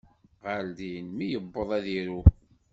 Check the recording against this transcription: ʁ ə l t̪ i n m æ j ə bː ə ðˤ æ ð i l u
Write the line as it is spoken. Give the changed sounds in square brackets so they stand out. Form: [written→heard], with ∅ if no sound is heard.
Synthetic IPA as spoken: ʁ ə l [t̪→d̪] i n m [æ→i] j ə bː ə ðˤ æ ð i [l→ɾ] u